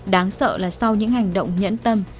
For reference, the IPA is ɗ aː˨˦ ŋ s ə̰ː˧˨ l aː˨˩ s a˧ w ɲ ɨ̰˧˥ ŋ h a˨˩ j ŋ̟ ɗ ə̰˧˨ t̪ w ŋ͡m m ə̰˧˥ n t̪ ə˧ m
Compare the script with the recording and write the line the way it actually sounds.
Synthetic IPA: ɗ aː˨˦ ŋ s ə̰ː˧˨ l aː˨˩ s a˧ w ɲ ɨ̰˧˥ ŋ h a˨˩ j ŋ̟ ɗ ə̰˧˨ w ŋ͡m ɲ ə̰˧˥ n t̪ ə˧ m